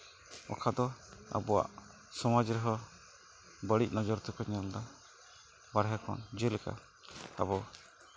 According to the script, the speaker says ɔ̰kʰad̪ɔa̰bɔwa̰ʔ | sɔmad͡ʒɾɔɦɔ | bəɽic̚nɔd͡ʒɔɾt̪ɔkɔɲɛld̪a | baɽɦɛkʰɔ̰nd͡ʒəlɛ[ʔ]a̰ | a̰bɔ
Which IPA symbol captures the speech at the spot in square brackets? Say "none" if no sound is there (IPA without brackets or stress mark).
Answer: k